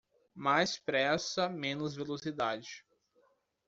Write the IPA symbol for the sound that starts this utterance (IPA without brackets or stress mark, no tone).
m